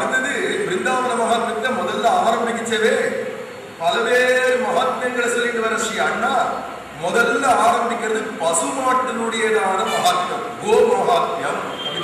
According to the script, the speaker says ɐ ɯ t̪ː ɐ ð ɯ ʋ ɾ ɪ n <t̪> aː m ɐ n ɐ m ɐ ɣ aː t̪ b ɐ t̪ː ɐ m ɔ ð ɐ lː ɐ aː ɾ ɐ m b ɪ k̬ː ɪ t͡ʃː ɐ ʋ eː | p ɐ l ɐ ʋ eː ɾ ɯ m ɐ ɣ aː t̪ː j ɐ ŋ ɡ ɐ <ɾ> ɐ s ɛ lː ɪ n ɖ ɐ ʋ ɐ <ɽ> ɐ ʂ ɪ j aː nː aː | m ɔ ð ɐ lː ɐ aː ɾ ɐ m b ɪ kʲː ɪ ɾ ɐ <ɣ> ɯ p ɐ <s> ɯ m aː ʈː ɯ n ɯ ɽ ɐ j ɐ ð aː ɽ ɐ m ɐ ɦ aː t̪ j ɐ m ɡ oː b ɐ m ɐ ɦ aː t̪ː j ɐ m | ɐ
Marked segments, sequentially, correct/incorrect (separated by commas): incorrect, incorrect, incorrect, incorrect, correct